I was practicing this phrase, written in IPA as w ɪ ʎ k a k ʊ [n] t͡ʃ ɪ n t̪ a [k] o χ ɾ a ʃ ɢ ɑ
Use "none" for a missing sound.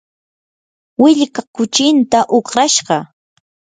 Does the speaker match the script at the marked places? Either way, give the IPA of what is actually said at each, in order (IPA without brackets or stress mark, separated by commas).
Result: none, ʔ